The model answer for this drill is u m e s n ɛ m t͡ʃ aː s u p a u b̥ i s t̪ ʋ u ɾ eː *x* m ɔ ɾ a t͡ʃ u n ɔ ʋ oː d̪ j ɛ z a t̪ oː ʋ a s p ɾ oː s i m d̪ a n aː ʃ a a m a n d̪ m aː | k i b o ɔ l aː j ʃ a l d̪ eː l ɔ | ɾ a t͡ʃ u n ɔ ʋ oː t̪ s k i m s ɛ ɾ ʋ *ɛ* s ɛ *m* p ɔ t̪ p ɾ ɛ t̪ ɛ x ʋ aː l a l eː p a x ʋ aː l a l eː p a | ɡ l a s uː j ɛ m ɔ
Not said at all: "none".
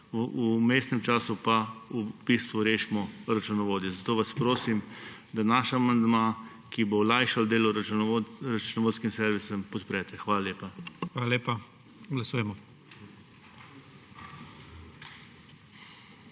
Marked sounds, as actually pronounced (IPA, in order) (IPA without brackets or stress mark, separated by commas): ʃ, i, m